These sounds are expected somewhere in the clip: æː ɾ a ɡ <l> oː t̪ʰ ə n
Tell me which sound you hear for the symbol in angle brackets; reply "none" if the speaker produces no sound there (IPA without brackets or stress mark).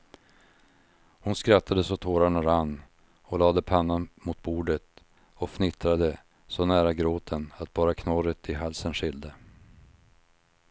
ɾ